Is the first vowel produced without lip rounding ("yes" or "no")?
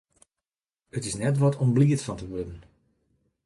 yes